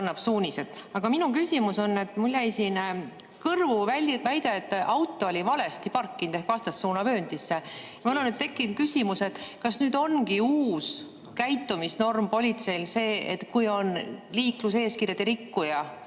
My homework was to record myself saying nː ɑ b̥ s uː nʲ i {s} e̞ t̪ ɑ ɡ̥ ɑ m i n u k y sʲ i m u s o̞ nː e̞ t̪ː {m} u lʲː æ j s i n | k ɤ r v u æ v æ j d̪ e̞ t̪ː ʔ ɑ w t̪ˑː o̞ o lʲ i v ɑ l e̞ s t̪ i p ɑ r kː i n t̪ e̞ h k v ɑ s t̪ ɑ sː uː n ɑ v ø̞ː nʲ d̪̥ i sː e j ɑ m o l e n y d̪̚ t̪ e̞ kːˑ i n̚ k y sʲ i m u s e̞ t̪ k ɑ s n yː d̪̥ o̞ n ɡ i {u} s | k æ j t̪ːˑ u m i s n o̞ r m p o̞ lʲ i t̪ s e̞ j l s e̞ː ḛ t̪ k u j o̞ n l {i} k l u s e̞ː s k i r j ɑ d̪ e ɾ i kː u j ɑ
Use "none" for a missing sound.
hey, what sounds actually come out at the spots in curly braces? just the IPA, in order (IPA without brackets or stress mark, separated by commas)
s, m, uː, iː